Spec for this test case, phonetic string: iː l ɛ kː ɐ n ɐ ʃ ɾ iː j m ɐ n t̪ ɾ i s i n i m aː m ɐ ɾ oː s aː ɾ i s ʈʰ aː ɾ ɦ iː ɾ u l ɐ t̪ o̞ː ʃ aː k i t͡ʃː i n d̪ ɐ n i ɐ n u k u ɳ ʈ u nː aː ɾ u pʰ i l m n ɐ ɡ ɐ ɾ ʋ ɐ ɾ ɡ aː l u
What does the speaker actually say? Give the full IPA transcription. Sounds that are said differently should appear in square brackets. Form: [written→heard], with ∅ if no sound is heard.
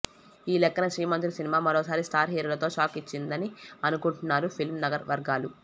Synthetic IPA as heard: iː l ɛ kː ɐ n ɐ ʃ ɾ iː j m ɐ n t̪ ɾ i s i n i m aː m ɐ ɾ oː s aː ɾ i s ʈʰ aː ɾ ɦ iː ɾ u l ɐ t̪ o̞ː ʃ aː k i t͡ʃː i n d̪ ɐ n i ɐ n u k u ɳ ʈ u nː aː ɾ u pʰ i l m n ɐ ɡ ɐ ɾ ʋ ɐ ɾ ɡ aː l u